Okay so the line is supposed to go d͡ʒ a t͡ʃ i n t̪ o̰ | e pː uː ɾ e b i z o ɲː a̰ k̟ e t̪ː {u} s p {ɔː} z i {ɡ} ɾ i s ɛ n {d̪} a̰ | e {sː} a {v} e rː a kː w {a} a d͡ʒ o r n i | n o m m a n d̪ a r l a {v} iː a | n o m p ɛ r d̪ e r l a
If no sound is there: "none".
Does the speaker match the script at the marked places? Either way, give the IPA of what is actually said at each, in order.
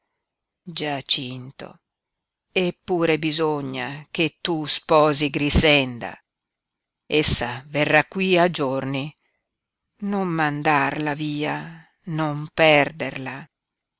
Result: u, ɔː, ɡ, d̪, sː, v, i, v

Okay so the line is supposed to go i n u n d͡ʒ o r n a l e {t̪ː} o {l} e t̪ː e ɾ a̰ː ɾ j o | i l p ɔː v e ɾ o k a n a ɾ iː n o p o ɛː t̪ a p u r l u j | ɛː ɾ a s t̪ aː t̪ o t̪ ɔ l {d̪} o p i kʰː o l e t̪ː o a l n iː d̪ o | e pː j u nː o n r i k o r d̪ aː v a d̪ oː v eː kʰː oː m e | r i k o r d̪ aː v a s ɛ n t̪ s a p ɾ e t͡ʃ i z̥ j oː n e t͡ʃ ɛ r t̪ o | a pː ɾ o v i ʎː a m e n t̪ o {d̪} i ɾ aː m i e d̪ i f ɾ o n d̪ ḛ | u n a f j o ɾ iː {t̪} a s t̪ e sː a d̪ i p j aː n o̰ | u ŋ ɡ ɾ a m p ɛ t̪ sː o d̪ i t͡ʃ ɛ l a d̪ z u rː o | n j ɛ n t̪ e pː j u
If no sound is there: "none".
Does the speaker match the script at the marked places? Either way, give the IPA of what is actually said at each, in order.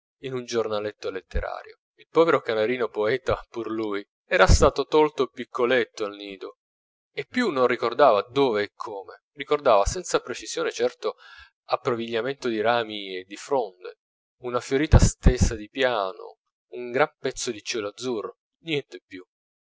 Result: t̪ː, l, t̪, d̪, t̪

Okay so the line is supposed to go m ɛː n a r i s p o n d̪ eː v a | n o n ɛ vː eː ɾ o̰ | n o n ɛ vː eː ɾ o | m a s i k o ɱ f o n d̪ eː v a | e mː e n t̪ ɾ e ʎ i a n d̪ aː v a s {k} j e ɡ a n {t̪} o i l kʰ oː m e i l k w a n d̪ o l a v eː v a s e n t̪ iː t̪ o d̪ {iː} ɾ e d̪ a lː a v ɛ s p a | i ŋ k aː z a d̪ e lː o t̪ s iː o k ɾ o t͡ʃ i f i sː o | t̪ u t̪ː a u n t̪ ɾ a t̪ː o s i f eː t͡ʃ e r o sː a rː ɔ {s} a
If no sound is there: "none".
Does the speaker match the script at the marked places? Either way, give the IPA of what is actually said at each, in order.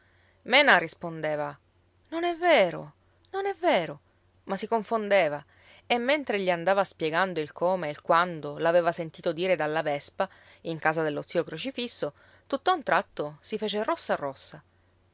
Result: p, d̪, iː, sː

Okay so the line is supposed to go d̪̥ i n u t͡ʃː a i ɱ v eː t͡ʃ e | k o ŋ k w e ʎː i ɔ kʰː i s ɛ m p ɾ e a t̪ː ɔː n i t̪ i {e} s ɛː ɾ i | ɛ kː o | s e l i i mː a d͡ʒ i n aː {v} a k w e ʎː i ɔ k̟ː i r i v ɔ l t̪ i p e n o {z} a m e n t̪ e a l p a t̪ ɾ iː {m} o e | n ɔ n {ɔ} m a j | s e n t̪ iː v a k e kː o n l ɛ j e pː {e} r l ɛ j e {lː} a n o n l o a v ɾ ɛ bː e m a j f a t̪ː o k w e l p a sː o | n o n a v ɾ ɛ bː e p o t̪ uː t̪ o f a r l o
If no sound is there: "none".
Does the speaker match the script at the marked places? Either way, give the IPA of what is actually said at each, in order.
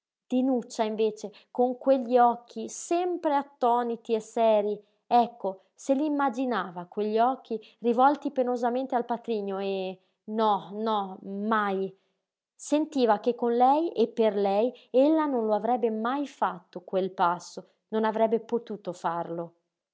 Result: e, v, z, ɲ, ɔ, e, lː

